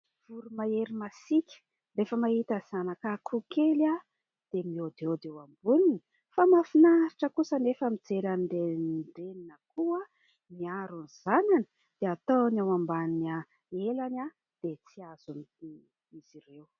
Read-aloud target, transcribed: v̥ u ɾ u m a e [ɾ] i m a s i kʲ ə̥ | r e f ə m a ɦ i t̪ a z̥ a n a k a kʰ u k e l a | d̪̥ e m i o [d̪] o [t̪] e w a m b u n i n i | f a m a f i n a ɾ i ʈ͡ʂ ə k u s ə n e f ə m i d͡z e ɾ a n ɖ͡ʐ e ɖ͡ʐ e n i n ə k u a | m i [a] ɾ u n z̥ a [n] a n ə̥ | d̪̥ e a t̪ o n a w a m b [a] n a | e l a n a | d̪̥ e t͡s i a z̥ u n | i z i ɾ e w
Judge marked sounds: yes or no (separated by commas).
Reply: yes, yes, no, yes, yes, yes